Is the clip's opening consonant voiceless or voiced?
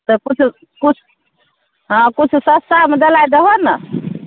voiceless